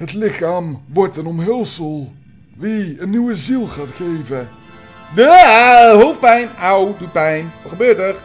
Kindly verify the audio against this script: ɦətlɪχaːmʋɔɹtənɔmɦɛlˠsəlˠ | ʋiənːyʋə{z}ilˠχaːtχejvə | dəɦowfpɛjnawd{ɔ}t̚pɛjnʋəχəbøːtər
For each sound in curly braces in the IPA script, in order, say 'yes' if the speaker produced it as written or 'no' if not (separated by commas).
yes, no